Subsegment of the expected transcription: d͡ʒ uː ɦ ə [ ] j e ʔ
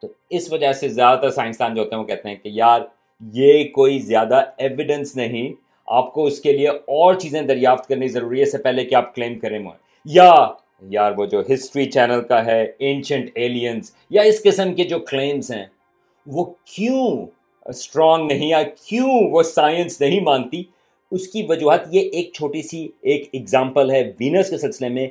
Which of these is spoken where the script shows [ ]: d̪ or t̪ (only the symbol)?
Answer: t̪